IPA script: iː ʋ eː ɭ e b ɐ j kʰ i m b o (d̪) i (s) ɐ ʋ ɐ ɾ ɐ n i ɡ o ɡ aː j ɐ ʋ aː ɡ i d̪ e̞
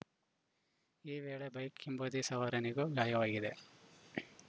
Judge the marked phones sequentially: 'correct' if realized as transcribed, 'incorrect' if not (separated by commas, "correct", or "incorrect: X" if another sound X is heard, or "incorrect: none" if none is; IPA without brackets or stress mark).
correct, correct